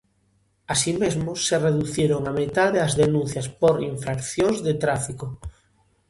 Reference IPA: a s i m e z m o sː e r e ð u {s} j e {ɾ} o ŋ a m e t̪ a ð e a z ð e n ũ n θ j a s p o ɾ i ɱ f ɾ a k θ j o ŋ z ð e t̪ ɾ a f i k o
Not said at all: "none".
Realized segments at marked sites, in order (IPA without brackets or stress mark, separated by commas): θ, ɾ